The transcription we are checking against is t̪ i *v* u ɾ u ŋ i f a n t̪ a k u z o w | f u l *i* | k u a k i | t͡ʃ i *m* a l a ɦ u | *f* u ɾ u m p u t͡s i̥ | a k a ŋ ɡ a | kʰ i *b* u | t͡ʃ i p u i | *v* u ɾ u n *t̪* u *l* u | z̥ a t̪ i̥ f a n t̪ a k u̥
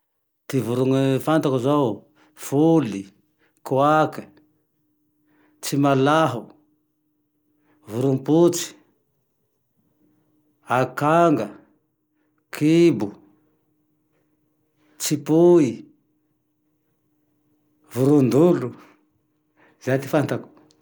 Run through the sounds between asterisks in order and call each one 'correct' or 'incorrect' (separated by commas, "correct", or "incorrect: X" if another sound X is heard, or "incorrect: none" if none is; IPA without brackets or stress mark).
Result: correct, correct, correct, incorrect: v, correct, correct, incorrect: d̪, correct